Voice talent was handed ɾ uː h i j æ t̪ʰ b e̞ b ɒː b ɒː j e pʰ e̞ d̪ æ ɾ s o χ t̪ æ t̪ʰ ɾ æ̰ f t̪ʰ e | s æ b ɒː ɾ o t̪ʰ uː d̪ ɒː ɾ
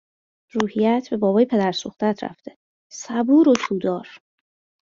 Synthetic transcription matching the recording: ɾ uː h i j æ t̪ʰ b e̞ b ɒː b ɒː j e pʰ e̞ d̪ æ ɾ s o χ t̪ æ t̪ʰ ɾ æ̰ f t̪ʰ e | s æ b uː ɾ o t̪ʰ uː d̪ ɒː ɾ